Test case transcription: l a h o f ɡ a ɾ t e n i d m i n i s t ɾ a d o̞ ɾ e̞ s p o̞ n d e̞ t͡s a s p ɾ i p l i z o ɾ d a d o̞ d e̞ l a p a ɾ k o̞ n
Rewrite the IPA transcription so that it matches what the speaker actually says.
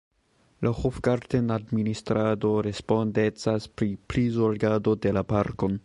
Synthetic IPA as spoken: l a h o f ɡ a ɾ t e n a d m i n i s t ɾ a d o̞ ɾ e̞ s p o̞ n d e̞ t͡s a s p ɾ i p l i z o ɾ ɡ a d o̞ d e̞ l a p a ɾ k o̞ n

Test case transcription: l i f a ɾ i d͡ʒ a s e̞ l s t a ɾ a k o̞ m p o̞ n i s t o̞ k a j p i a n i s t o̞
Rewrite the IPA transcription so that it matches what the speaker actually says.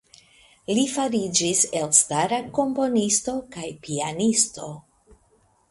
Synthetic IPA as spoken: l i f a ɾ i d͡ʒ i s e̞ l s t a ɾ a k o̞ m p o̞ n i s t o̞ k a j p i a n i s t o̞

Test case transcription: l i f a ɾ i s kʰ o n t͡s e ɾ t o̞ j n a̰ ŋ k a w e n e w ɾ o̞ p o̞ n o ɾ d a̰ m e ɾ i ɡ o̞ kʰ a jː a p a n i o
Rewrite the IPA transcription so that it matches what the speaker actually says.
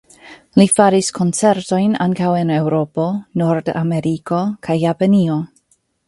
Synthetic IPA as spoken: l i f a ɾ i s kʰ o n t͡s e ɾ t o̞ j n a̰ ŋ k a w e n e w ɾ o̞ p o̞ n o ɾ d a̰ m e ɾ i k o̞ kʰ a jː a p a n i o

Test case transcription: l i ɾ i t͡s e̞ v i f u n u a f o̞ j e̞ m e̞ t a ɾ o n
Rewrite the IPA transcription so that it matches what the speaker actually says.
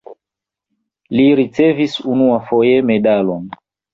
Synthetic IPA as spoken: l i ɾ i t͡s e̞ v i s u n u a f o̞ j e̞ m e̞ d a l o n

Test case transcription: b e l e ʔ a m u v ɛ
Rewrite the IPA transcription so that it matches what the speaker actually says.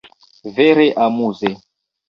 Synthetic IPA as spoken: v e ɾ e ʔ a m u z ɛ

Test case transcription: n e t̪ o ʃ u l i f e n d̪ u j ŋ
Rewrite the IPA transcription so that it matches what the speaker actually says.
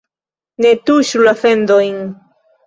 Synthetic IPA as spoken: n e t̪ u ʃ u l a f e n d̪ o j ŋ

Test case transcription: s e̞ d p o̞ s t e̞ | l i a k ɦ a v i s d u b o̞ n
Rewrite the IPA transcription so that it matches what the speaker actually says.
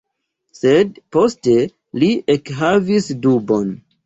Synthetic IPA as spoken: s e̞ d p o̞ s t e̞ | l i e k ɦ a v i s d u b o̞ n

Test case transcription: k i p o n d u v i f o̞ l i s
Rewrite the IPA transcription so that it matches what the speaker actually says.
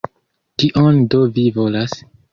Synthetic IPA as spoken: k i ʔ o n d o v i v o̞ l a s

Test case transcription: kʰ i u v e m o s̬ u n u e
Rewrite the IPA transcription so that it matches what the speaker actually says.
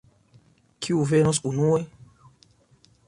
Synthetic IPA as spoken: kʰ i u v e n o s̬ u n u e

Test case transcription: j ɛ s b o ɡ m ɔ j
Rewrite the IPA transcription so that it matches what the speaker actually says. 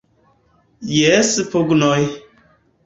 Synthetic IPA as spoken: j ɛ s p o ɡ n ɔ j

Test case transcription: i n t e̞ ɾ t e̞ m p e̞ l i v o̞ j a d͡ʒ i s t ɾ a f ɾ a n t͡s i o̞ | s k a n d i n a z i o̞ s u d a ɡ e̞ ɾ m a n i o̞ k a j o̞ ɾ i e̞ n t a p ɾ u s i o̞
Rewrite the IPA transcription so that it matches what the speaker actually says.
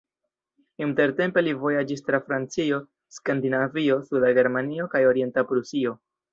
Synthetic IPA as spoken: i n t e̞ ɾ t e̞ m p e̞ l i v o̞ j a d͡ʒ i s t ɾ a f ɾ a n t͡s i o̞ | s k a n d i n a v i o̞ s u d a ɡ e̞ ɾ m a n i o̞ k a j o̞ ɾ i e̞ n t a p ɾ u s i o̞

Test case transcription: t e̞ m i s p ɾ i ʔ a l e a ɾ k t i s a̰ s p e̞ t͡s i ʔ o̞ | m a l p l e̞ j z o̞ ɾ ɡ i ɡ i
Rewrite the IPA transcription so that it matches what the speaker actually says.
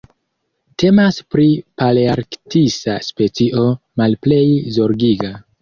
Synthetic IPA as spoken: t e̞ m a s p ɾ i p a l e a ɾ k t i s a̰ s p e̞ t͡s i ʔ o̞ | m a l p l e̞ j z o̞ ɾ ɡ i ɡ a

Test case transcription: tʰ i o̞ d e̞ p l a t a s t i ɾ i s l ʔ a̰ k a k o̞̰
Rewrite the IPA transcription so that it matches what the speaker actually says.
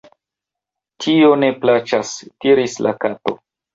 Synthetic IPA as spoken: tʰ i o̞ n e̞ p l a t͡ʃ a s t i ɾ i s l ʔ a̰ k a t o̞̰

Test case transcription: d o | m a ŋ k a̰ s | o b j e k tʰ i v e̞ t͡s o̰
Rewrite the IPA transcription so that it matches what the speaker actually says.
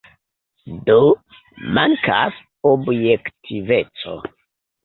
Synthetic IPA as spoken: d o | m a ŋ k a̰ s | o b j e k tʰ i v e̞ t͡s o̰

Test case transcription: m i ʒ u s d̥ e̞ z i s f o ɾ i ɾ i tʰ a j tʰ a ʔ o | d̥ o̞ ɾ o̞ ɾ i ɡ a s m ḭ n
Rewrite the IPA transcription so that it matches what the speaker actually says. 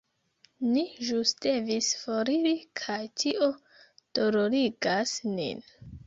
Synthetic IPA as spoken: n i ʒ u s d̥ e̞ v i s f o ɾ i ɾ i kʰ a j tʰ i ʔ o | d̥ o̞ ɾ o̞ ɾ i ɡ a s n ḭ n

